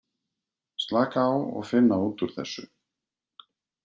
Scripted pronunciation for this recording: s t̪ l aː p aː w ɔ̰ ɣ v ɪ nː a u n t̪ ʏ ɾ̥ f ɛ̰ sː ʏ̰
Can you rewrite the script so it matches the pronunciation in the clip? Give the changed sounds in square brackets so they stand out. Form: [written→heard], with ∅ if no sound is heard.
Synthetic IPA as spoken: s t̪ l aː [p→k] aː w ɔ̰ ɣ [v→f] ɪ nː a u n t̪ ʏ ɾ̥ [f→θ] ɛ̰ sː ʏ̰